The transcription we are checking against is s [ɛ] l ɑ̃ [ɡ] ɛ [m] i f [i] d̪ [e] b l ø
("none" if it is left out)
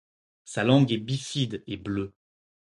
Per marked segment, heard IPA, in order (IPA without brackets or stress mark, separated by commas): a, ɡ, b, i, e